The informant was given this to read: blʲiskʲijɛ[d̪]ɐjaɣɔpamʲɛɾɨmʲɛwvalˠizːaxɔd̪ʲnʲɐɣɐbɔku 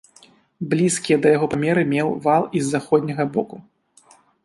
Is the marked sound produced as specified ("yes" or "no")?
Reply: yes